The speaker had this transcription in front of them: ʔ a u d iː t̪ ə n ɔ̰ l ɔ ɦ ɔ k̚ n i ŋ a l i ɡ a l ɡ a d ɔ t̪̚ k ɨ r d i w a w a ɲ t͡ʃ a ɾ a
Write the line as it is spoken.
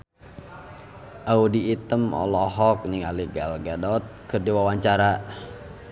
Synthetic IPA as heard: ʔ a u d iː t̪ ə m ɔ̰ l ɔ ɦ ɔ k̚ n i ŋ a l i ɡ a l ɡ a d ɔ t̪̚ k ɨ r d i w a w a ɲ t͡ʃ a ɾ a